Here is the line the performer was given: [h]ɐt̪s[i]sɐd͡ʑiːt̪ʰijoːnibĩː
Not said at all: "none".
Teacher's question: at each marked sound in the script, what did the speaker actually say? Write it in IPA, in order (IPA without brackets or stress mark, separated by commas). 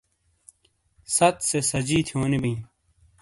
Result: s, e